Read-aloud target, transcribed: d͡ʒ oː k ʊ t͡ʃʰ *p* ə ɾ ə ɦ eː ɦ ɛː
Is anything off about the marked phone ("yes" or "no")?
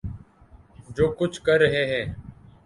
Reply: yes